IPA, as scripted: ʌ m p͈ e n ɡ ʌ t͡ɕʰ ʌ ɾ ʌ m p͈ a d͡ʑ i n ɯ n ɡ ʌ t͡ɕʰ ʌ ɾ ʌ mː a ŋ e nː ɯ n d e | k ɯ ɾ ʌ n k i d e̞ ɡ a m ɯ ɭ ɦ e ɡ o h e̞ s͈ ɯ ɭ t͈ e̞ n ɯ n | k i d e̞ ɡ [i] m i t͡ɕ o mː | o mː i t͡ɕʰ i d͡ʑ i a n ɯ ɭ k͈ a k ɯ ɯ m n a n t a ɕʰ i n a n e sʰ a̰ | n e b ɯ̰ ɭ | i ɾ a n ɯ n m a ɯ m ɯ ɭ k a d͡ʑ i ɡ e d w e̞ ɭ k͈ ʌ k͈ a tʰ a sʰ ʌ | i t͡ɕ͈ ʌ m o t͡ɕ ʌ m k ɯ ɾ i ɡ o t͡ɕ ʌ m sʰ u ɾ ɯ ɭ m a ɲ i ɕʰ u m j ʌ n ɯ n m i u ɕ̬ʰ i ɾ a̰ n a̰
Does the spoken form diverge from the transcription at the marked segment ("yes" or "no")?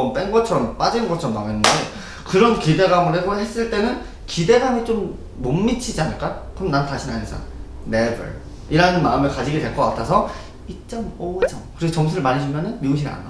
yes